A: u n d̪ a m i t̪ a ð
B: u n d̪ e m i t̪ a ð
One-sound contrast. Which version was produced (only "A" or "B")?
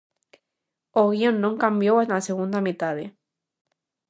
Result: A